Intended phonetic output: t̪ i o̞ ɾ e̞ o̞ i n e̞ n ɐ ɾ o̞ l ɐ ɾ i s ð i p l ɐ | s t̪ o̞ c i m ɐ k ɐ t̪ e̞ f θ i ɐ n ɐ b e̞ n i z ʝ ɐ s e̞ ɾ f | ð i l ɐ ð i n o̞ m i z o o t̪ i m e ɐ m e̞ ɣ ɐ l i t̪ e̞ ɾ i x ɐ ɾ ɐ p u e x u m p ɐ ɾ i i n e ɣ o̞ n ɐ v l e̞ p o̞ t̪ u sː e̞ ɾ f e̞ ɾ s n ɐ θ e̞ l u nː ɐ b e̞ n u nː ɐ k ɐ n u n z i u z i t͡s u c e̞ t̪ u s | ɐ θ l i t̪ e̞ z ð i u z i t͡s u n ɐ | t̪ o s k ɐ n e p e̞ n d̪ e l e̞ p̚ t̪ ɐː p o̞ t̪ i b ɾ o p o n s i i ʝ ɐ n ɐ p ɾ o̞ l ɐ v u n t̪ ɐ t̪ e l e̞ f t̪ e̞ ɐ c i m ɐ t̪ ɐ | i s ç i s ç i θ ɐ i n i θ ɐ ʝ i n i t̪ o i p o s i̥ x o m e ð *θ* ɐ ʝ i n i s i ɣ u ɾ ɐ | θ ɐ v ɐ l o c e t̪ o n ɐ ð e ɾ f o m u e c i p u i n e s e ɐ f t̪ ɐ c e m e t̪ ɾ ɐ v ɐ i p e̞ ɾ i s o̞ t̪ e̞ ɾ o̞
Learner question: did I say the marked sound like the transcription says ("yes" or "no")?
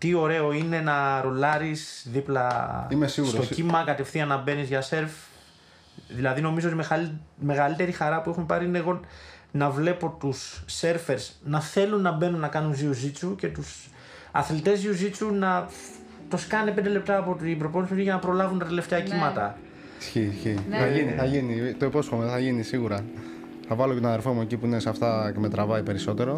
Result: yes